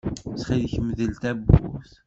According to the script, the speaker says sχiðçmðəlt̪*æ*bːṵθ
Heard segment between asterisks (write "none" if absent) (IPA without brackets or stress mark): æ